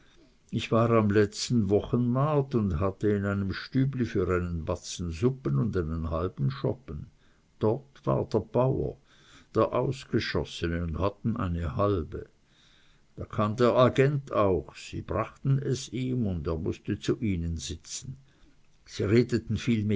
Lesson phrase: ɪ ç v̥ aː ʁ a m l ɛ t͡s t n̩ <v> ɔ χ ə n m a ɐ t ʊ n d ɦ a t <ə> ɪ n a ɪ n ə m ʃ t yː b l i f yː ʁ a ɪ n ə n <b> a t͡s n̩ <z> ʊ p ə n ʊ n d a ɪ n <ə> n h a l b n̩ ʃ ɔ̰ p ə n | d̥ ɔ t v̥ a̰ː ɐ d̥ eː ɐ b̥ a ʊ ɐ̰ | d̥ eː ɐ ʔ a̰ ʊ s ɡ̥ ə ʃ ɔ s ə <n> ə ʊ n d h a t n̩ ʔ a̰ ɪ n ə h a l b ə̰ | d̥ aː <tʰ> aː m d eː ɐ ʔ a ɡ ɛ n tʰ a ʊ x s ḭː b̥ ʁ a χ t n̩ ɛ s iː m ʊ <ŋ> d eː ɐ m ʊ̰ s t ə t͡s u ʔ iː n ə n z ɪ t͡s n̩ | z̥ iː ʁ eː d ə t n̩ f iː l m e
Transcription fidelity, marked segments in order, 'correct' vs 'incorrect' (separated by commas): correct, correct, correct, correct, correct, correct, incorrect, incorrect